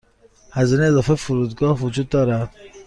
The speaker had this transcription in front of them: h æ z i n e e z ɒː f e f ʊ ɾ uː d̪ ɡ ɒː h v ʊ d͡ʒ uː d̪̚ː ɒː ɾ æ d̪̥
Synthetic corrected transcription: h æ z i n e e z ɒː f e f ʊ ɾ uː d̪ ɡ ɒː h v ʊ d͡ʒ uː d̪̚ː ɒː ɾ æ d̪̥